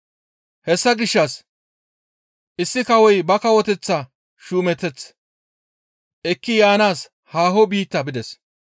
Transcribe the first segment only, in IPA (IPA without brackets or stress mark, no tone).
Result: h